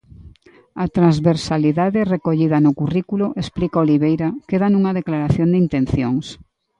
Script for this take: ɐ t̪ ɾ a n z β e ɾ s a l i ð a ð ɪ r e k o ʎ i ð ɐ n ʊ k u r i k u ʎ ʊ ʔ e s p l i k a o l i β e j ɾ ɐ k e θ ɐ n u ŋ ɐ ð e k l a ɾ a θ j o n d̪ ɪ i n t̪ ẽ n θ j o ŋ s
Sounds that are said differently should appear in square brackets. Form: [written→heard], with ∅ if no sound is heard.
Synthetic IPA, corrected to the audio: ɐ t̪ ɾ a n z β e ɾ s a l i ð a ð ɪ r e k o ʎ i ð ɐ n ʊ k u r i k u [ʎ→l] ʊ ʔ e s p l i k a o l i β e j ɾ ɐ k e [θ→ð] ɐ n u ŋ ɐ ð e k l a ɾ a θ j o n d̪ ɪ i n t̪ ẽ n θ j o ŋ s